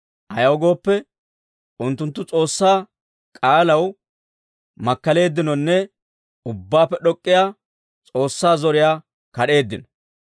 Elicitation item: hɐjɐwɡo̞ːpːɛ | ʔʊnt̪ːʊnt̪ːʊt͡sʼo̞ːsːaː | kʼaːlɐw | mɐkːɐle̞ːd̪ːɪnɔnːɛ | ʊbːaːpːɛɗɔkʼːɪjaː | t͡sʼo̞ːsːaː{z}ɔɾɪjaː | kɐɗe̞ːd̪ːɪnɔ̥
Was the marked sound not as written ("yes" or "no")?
no